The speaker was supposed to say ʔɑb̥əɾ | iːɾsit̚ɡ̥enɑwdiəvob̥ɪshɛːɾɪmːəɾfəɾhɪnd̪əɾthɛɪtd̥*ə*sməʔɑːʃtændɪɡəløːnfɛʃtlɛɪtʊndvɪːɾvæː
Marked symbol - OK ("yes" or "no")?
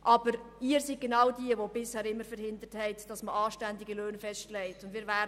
no